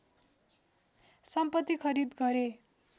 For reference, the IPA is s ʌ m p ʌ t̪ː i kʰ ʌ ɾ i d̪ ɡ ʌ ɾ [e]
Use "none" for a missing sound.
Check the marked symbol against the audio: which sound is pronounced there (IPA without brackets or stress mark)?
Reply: e